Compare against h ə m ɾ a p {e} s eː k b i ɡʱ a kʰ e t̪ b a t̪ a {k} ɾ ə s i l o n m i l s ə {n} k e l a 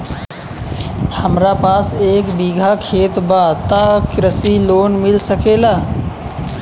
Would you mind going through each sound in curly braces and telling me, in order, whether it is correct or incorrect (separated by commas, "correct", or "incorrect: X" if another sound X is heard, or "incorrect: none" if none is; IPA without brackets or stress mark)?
incorrect: a, correct, incorrect: none